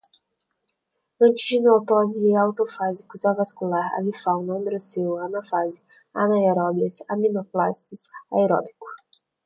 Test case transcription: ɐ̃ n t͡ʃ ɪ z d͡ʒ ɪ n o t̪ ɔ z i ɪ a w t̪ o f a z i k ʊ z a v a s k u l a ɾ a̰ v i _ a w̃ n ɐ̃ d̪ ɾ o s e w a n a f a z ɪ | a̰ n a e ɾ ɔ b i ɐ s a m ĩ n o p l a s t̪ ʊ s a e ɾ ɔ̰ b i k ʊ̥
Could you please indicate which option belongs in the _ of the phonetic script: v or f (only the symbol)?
f